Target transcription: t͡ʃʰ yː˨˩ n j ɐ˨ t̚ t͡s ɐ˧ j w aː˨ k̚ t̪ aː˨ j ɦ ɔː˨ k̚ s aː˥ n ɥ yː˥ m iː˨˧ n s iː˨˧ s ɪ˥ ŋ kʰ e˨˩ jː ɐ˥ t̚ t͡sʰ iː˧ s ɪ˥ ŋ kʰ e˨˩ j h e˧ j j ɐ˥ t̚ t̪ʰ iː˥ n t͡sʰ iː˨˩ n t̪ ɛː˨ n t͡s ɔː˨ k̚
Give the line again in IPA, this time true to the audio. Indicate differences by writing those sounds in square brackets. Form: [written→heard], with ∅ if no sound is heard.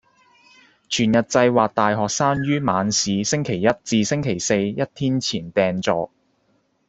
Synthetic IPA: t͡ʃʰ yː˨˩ n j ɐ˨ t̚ t͡s ɐ˧ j w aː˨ k̚ t̪ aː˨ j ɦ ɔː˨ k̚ s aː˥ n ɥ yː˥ m [iː˨˧→aː˨˧] n s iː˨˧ s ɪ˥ ŋ kʰ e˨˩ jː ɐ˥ t̚ [t͡sʰ→t͡s] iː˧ s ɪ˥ ŋ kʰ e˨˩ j [h→s] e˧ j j ɐ˥ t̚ t̪ʰ iː˥ n t͡sʰ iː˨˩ n t̪ ɛː˨ n t͡s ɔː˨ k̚